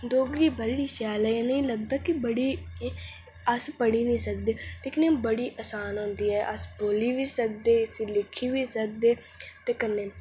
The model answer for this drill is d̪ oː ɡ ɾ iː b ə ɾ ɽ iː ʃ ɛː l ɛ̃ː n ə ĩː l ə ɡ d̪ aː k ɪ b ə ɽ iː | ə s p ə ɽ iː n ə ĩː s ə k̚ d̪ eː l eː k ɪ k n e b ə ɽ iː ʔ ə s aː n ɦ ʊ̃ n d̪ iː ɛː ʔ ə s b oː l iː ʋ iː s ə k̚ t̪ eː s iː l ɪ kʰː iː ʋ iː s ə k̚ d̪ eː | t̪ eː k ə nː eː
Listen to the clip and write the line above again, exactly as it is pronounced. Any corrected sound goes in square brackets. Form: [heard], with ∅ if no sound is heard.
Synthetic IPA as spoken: d̪ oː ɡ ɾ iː b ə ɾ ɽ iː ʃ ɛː l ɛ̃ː n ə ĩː l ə ɡ d̪ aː k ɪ b ə ɽ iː | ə s p ə ɽ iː n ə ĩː s ə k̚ d̪ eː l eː k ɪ [∅] n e b ə ɽ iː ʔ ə s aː n ɦ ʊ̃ n d̪ iː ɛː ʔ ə s b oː l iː ʋ iː s ə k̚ [d̪] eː s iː l ɪ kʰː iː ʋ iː s ə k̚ d̪ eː | t̪ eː k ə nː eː

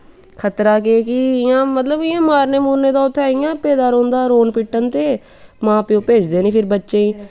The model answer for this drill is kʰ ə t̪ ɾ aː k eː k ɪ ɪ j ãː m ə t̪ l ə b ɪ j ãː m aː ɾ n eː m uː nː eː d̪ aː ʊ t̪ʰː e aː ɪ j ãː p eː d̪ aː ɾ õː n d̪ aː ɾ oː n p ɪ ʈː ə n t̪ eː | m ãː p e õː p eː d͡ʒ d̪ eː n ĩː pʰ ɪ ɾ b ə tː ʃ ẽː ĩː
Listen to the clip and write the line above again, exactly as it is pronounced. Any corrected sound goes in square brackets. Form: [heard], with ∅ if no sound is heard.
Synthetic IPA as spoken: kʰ ə t̪ ɾ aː k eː k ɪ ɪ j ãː m ə t̪ l ə b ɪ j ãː m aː ɾ n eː m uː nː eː d̪ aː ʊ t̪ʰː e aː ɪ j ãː p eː d̪ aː ɾ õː n d̪ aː ɾ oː n p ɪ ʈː ə n t̪ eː | m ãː p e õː p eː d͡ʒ d̪ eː n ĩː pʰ ɪ ɾ b ə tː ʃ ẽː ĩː

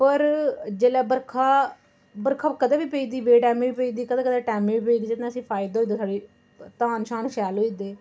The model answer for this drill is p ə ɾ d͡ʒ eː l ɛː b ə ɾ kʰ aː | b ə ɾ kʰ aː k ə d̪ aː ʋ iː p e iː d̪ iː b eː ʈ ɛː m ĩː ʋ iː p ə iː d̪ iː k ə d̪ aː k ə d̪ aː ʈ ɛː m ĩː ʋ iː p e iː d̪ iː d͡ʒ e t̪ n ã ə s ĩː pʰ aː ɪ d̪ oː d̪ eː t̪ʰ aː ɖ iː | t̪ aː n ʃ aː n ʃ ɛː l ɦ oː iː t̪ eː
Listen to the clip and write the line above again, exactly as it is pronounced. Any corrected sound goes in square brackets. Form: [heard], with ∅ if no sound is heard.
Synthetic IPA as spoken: p ə ɾ d͡ʒ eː l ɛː b ə ɾ kʰ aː | b ə ɾ kʰ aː k ə d̪ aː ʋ iː p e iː d̪ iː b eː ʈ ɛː m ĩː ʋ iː p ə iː d̪ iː k ə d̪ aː k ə d̪ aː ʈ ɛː m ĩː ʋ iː p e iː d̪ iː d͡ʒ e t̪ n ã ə s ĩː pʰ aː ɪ d̪ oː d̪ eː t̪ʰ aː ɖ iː | t̪ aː n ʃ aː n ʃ ɛː l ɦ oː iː [d̪] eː

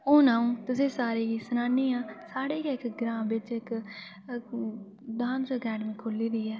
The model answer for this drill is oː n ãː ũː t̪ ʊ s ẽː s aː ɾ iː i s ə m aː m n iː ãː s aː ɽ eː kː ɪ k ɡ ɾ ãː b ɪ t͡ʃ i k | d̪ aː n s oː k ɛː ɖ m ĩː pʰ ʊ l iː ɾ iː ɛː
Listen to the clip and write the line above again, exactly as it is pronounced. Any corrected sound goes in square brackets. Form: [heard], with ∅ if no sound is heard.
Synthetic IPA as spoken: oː n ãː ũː t̪ ʊ s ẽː s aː ɾ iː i s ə [n] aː [∅] n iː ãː s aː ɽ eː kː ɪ k ɡ ɾ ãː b ɪ t͡ʃ [ɪ] k | d̪ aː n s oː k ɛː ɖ m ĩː [kʰ] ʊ l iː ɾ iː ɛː

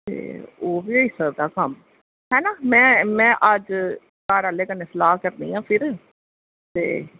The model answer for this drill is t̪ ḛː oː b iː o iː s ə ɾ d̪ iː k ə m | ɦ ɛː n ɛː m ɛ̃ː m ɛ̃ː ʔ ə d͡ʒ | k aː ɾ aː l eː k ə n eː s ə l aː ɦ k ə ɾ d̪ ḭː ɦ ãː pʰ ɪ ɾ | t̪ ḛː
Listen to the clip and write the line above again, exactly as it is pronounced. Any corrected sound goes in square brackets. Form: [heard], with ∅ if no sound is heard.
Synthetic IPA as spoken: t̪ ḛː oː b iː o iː s ə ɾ d̪ [aː] k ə m | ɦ ɛː n [aː] m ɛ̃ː m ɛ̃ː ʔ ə d͡ʒ | k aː ɾ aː l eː k ə n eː s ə l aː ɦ k ə ɾ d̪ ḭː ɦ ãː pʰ ɪ ɾ | t̪ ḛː

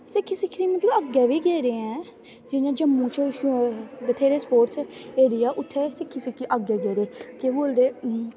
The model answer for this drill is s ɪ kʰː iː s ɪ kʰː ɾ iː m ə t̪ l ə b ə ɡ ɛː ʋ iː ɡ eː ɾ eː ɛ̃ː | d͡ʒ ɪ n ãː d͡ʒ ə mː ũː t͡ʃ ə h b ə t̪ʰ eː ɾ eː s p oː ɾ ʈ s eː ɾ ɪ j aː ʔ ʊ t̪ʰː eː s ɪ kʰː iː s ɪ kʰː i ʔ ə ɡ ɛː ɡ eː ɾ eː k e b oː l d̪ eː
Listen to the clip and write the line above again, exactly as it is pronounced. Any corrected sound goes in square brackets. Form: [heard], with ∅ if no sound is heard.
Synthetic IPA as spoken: s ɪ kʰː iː s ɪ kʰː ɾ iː m ə t̪ l ə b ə ɡ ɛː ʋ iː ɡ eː ɾ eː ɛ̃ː | d͡ʒ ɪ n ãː d͡ʒ ə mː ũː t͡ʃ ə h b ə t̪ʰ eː ɾ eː s p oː ɾ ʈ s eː ɾ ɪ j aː ʔ ʊ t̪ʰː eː s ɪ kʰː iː s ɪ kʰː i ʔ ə ɡ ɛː ɡ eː ɾ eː k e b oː l d̪ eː

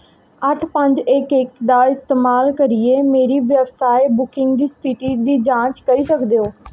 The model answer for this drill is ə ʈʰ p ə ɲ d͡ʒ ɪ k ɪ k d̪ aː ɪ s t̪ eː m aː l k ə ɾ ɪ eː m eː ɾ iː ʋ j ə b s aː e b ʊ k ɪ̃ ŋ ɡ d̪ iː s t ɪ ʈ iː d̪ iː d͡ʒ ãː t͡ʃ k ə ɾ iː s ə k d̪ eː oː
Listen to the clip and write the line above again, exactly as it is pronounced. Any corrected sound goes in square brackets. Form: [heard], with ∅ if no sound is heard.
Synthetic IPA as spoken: ə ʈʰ p ə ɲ d͡ʒ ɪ k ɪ k d̪ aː ɪ s t̪ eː m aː l k ə ɾ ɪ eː m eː ɾ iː ʋ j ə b s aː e b ʊ k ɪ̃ ŋ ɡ d̪ iː s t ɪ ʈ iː d̪ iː d͡ʒ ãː t͡ʃ k ə ɾ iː s ə k d̪ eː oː

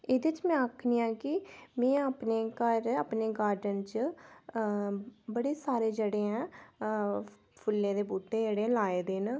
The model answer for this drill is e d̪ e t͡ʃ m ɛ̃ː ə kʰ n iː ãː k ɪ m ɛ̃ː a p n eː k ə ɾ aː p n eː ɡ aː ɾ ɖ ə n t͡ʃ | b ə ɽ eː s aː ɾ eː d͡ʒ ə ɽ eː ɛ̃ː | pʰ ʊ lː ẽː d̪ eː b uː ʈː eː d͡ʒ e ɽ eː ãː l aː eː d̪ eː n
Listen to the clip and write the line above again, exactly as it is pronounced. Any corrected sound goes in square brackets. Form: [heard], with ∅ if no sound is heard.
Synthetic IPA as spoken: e d̪ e t͡ʃ m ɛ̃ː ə kʰ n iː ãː k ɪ m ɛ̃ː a p n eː k ə ɾ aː p n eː ɡ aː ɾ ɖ ə n t͡ʃ | b ə ɽ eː s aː ɾ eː d͡ʒ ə ɽ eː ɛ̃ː | pʰ ʊ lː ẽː d̪ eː b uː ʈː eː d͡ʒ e ɽ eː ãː l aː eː d̪ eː n

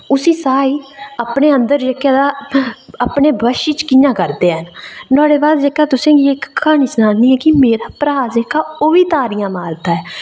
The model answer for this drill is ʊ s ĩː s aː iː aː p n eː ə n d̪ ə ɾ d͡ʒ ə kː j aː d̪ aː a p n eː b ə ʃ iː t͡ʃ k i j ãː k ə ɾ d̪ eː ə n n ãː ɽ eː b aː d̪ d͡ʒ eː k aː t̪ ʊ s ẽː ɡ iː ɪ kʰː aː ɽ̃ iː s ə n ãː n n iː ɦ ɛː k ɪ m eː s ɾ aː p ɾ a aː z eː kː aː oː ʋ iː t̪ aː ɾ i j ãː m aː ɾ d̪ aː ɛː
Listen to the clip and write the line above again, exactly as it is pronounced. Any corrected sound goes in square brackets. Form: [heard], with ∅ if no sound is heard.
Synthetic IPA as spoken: ʊ s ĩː s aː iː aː p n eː ə n d̪ ə ɾ d͡ʒ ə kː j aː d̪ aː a p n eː b ə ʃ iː t͡ʃ k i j ãː k ə ɾ d̪ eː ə n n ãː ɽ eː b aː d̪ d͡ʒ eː k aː t̪ ʊ s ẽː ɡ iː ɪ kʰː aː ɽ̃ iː s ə n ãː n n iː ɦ ɛː k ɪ m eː [∅] ɾ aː p ɾ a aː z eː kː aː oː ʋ iː t̪ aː ɾ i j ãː m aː ɾ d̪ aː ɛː

